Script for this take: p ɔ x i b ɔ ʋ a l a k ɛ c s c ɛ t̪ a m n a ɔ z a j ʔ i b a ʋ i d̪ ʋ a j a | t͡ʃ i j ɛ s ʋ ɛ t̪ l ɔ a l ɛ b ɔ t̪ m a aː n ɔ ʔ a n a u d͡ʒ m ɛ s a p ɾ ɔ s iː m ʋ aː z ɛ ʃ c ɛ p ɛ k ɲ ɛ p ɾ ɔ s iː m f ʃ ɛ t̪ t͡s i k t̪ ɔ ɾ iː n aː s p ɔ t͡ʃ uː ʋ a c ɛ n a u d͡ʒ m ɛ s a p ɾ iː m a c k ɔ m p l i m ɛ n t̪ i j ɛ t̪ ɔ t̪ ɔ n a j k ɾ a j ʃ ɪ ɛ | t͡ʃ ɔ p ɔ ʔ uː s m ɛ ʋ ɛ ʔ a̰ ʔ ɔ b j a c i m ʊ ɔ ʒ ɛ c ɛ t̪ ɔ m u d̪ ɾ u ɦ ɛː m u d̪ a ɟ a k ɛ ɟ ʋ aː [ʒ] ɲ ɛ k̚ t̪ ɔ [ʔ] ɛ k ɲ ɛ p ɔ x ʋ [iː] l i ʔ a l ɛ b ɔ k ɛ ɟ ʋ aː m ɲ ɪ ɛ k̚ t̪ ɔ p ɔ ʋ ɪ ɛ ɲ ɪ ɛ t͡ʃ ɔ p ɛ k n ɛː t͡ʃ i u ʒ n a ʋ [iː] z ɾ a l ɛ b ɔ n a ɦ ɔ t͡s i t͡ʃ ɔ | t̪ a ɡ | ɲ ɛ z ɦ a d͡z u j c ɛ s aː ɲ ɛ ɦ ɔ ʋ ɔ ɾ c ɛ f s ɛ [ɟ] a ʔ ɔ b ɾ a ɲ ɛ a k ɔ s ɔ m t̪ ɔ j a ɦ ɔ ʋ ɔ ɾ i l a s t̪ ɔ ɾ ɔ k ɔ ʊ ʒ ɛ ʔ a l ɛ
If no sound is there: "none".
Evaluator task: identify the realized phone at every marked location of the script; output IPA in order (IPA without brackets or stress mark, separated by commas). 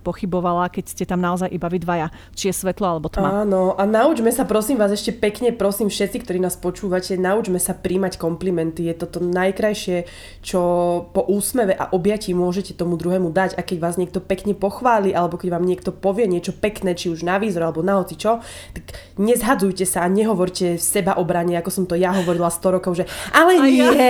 z, p, aː, iː, b